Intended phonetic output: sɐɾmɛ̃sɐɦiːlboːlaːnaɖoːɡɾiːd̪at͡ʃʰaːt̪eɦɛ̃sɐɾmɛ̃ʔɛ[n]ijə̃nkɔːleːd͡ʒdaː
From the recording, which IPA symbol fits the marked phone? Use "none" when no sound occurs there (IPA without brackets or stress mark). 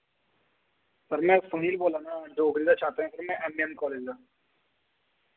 m